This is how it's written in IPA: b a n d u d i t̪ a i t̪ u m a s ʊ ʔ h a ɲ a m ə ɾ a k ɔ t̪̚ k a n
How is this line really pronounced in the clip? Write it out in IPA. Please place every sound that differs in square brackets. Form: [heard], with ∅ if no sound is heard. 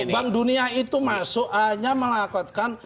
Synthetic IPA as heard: b a [ŋ] d u [n] i [∅] a i t̪ u m a s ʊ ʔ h a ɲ a m ə [l] a k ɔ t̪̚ k a n